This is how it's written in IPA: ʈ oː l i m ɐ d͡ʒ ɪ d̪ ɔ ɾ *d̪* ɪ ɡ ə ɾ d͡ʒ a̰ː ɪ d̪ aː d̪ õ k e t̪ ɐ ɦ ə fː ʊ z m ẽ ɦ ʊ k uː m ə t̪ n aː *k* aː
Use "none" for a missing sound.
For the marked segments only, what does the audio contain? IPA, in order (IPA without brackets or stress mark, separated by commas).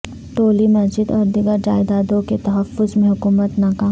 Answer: d̪, k